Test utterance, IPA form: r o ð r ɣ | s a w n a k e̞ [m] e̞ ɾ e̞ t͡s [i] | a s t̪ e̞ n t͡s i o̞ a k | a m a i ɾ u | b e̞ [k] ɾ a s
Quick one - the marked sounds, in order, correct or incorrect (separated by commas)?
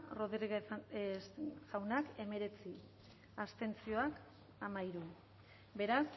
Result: correct, correct, incorrect